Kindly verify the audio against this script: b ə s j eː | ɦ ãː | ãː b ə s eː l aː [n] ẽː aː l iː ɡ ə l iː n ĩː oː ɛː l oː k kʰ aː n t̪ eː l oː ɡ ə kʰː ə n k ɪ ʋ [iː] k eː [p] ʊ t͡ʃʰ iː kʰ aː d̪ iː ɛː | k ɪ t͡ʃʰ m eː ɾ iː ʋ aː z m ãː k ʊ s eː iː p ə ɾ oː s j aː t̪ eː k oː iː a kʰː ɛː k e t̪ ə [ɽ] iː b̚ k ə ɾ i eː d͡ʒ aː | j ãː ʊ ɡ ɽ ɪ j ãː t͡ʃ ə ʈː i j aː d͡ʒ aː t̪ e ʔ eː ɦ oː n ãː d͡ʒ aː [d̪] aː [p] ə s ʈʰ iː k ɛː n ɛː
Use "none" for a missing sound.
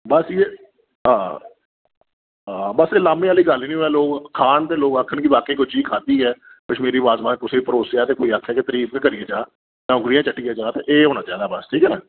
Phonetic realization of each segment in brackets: m, aː, k, ɾ, d̪, b

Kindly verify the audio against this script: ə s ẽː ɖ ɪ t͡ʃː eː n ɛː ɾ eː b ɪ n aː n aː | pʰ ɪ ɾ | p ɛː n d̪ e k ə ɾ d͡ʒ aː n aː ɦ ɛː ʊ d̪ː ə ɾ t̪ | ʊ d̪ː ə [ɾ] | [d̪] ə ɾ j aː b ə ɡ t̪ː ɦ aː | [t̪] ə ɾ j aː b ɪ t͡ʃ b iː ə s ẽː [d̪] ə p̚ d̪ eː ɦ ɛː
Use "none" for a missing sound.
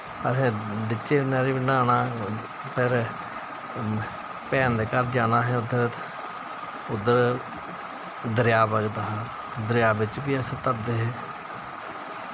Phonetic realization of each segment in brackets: ɾ, d̪, d̪, t̪

